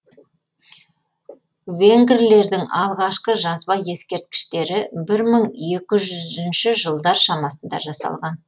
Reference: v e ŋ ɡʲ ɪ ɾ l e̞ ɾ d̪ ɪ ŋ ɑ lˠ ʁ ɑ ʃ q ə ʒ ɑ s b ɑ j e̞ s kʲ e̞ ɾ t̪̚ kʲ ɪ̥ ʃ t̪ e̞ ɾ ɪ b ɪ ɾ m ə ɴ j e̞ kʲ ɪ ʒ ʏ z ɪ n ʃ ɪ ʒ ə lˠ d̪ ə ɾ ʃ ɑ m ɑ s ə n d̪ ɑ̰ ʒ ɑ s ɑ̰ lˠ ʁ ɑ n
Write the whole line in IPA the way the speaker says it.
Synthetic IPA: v e ŋ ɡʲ ɪ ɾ l e̞ ɾ d̪ ɪ ŋ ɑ lˠ ʁ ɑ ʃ q ə ʒ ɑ z b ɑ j e̞ s kʲ e̞ ɾ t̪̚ kʲ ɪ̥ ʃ t̪ e̞ ɾ ɪ b ɪ ɾ m ə ɴ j e̞ kʲ ɪ ʒ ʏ z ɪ n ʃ ɪ ʒ ə lˠ d̪ ɑ ɾ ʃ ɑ m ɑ s ə n d̪ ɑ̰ ʒ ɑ s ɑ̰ lˠ ʁ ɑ n